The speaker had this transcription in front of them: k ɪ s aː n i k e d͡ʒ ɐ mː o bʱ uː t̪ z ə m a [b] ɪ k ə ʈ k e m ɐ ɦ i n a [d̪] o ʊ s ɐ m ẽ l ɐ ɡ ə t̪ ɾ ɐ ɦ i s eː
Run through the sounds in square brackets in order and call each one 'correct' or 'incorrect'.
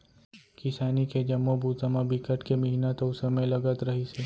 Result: correct, incorrect: t̪

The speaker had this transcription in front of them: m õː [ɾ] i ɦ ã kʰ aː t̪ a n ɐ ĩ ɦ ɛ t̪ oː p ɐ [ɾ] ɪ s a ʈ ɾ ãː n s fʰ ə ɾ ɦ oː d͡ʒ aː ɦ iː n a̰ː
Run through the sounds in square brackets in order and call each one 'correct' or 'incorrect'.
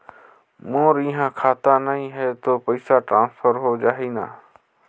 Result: correct, incorrect: none

